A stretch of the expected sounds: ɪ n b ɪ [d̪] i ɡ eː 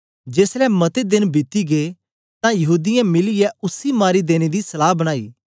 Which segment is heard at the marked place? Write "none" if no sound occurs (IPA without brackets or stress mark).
t̪